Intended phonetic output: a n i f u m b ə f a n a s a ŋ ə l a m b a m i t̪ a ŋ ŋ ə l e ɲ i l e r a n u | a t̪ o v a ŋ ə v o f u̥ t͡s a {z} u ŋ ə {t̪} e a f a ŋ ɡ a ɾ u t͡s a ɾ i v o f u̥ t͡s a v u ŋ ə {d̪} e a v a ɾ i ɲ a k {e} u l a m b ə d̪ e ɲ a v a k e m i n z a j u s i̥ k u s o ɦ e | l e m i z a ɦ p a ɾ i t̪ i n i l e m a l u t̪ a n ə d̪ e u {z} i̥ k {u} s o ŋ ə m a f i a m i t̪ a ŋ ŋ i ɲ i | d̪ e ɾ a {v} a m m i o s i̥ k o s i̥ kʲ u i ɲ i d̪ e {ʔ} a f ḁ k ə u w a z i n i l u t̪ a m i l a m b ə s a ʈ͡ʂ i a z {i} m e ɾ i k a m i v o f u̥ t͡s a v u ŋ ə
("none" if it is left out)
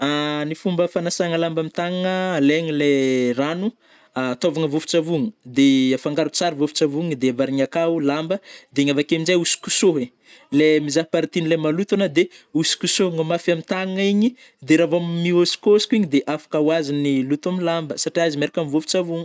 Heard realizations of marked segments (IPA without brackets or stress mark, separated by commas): v, d̪, d̪, a, s, u, v, ʔ, i